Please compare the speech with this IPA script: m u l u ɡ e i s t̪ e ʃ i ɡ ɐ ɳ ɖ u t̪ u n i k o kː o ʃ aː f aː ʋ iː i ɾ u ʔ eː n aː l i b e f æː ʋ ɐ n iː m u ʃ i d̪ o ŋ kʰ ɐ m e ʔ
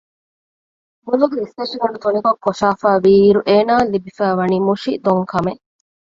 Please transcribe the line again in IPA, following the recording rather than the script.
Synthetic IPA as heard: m u l u ɡ e i s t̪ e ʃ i ɡ ɐ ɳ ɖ u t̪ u n i k o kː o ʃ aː f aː ʋ iː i ɾ u ʔ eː n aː l i b i f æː ʋ ɐ n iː m u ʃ i d̪ o ŋ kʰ ɐ m e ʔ